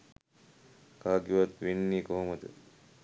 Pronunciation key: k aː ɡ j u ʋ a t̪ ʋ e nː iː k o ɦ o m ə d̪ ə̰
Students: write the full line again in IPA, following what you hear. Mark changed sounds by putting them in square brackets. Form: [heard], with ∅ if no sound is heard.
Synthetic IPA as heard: k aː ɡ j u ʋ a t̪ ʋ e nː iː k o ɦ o m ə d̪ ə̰